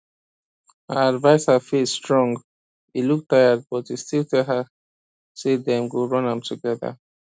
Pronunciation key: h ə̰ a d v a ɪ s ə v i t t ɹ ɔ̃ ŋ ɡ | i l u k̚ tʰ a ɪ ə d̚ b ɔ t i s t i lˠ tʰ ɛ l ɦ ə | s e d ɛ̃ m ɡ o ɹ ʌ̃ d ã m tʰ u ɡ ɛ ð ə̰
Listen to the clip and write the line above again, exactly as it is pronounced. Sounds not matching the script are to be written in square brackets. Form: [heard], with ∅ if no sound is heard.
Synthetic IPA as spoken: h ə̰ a d v a ɪ s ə [f] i [s] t ɹ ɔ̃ ŋ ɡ | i l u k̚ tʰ a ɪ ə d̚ b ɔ t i s t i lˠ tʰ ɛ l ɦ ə | s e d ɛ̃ m ɡ o ɹ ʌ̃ [n] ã m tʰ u ɡ ɛ ð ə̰